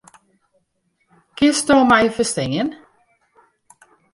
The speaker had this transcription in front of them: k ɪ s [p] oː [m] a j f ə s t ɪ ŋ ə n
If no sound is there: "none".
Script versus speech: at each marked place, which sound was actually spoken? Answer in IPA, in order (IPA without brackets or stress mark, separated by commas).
t, m